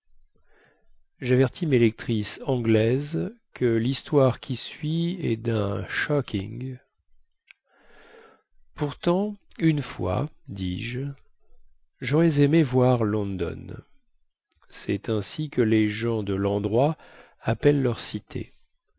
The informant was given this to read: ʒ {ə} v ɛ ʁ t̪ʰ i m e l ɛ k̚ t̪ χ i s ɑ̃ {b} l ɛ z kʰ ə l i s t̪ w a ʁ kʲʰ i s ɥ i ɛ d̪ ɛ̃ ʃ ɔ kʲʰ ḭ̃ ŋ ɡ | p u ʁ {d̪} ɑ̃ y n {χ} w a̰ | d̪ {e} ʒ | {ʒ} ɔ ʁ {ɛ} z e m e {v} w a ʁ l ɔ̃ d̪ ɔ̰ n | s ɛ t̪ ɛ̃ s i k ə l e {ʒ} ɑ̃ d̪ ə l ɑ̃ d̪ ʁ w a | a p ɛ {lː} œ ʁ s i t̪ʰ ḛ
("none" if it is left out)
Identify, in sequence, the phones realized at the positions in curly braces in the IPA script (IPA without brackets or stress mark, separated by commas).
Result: a, ɡ, t̪, f, i, ʒ, ɛ, v, ʒ, lː